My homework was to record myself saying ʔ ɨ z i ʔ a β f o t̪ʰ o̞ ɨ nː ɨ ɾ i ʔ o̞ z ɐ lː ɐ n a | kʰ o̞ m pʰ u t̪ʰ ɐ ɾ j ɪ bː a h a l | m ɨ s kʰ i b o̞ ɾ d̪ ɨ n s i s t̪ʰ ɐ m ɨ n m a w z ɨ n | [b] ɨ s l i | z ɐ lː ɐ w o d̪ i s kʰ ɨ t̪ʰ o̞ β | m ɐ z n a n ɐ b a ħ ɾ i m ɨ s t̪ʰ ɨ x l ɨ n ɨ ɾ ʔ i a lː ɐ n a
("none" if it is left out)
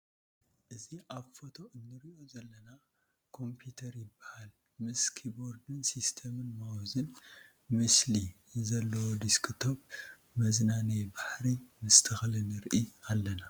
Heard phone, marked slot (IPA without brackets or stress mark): m